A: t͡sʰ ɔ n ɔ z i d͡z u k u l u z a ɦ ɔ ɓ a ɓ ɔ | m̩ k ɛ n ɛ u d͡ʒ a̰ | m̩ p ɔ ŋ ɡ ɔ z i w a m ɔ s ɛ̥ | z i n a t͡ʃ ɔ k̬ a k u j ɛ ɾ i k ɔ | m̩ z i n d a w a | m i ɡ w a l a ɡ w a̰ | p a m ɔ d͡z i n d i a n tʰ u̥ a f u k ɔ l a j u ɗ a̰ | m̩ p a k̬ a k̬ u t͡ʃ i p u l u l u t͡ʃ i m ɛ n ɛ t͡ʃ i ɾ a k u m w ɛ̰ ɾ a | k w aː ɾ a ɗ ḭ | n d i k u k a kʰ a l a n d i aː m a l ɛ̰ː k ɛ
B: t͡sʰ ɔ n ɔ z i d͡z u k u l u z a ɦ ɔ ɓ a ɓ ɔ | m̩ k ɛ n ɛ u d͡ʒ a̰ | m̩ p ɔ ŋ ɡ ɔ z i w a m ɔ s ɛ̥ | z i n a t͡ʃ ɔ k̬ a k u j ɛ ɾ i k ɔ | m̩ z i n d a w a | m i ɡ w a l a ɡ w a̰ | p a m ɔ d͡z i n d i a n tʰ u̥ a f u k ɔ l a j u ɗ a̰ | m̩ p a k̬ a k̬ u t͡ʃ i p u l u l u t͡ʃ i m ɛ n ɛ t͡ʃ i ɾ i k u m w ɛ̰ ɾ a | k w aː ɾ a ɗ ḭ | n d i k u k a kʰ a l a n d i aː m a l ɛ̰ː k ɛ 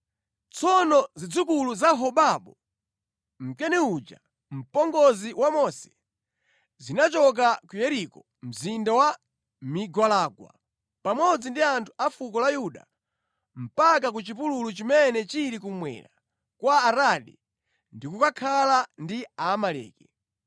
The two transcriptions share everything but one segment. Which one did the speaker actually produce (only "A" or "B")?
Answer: B